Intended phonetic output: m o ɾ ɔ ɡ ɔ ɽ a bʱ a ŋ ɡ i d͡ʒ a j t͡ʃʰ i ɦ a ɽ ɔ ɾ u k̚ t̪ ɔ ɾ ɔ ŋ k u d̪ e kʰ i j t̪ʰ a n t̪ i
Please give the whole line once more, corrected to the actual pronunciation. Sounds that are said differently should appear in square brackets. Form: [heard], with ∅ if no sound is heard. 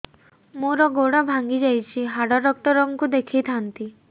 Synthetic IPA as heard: m o ɾ ɔ ɡ [o] ɽ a bʱ a ŋ ɡ i d͡ʒ a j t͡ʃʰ i ɦ a ɽ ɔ ɾ [ɔ] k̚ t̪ ɔ ɾ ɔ ŋ k u d̪ e kʰ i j t̪ʰ a n t̪ i

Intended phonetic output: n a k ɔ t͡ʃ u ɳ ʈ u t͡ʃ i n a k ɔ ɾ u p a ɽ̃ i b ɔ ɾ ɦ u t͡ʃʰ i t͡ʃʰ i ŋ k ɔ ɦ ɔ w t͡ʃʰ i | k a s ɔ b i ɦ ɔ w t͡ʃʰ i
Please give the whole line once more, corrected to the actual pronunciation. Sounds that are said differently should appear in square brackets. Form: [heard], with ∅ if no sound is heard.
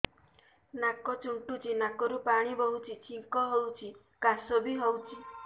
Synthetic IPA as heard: n a k ɔ t͡ʃ u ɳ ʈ u t͡ʃ i n a k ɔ ɾ u p a ɽ̃ i b ɔ [∅] ɦ u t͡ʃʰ i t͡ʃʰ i ŋ k ɔ ɦ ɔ w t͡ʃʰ i | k a s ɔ b i ɦ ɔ w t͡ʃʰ i

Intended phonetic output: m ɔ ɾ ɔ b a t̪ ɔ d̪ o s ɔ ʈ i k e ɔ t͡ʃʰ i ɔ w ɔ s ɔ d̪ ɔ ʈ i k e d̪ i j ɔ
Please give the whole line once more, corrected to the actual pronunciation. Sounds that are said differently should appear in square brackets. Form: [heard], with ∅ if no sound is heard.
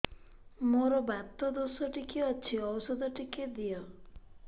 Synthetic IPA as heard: m [o] ɾ ɔ b a t̪ ɔ d̪ o s ɔ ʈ i k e ɔ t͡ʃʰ i ɔ w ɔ s ɔ d̪ ɔ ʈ i k e d̪ i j ɔ

